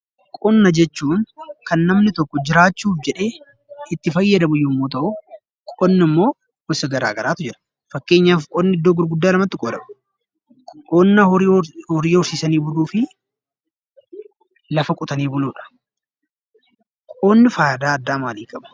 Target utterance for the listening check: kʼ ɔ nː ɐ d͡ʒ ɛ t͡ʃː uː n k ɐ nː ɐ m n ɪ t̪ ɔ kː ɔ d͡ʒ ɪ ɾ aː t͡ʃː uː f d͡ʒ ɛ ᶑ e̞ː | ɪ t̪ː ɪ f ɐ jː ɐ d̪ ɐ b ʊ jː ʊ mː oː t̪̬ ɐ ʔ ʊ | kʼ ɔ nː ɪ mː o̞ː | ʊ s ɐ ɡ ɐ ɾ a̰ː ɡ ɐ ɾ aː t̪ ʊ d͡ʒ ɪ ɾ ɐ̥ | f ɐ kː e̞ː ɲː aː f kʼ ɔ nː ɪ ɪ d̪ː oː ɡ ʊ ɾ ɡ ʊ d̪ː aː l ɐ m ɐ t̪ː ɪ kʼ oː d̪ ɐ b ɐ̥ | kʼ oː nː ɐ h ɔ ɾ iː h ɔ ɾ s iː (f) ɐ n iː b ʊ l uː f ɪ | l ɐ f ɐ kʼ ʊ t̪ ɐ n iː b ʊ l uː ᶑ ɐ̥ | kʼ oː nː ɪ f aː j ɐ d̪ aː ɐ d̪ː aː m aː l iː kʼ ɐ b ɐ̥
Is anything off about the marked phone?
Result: yes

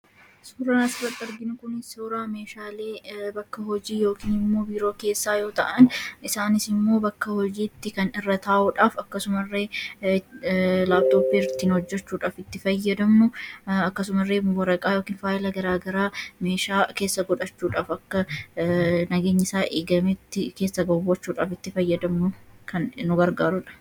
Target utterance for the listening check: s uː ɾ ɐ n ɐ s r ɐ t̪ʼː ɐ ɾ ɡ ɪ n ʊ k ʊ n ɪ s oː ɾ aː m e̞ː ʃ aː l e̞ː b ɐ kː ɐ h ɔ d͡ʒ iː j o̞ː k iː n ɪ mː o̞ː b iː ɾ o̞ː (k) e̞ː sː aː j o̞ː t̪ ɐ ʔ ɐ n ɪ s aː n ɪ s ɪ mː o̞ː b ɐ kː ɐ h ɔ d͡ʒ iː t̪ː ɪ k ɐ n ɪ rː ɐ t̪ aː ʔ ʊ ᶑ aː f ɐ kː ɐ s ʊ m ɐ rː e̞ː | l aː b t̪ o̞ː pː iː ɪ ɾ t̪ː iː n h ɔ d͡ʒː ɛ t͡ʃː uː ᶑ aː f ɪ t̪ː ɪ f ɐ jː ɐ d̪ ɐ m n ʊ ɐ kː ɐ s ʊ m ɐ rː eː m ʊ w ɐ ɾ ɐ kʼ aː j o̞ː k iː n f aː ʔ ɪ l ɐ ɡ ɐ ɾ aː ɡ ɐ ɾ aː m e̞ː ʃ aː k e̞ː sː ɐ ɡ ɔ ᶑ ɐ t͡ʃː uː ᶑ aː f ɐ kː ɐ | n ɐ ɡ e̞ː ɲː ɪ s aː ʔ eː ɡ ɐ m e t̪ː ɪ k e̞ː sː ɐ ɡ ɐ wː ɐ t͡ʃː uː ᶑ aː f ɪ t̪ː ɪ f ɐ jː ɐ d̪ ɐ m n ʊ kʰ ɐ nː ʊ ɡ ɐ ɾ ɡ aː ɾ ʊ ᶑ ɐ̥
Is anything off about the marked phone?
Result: no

